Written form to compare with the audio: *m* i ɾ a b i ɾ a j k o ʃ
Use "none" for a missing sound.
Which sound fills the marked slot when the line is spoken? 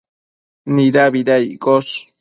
n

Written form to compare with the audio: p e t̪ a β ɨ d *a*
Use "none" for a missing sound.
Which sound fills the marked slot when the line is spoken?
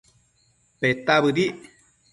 i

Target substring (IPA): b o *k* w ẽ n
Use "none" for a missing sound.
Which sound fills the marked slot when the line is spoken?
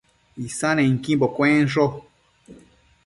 k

